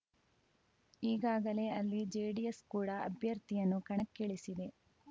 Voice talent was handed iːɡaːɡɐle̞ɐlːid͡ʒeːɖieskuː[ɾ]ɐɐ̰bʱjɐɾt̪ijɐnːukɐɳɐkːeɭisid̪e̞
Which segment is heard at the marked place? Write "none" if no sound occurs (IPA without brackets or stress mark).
ɽ